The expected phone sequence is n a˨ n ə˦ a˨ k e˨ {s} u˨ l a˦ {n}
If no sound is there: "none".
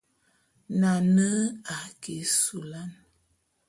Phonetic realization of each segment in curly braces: s, n

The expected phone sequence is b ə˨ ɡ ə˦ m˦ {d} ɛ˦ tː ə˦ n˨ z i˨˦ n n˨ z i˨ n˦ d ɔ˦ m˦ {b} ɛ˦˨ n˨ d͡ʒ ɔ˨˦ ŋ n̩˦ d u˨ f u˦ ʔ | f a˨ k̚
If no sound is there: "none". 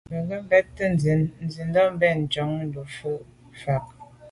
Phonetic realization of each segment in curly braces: b, b

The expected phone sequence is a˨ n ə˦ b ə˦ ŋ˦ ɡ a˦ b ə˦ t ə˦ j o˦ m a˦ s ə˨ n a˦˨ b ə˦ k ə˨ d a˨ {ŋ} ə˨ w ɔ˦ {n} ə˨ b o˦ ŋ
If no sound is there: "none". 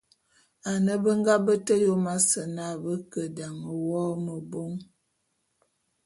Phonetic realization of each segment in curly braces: ŋ, m

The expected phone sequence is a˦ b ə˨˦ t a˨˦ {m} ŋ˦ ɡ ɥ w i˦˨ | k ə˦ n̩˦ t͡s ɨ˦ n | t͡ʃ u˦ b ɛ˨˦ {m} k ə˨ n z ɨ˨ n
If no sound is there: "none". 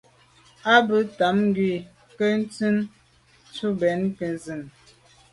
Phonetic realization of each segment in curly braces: m, n

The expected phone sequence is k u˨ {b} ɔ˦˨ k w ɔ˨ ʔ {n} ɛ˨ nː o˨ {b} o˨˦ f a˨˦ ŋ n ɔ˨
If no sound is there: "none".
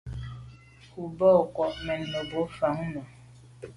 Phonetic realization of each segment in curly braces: b, m, b

